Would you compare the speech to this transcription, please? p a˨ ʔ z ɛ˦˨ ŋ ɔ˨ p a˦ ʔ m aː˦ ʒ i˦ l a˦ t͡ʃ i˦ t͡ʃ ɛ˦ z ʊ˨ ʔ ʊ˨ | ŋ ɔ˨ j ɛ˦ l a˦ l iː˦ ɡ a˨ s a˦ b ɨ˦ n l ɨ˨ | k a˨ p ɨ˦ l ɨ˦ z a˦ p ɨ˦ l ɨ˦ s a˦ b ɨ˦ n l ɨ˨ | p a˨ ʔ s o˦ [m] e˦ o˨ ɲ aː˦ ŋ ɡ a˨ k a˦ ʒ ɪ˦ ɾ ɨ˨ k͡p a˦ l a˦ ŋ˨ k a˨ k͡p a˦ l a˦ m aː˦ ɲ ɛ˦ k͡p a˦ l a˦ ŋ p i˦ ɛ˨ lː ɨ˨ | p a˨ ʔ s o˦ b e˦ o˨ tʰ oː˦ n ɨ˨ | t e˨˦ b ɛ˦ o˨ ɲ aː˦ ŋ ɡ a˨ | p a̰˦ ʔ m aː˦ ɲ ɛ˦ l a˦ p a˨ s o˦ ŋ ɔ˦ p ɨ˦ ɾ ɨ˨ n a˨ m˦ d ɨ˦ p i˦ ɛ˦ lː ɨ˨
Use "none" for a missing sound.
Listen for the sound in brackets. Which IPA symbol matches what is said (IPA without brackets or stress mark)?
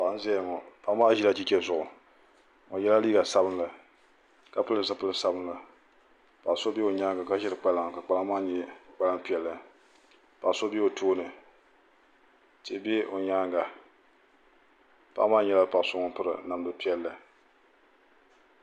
b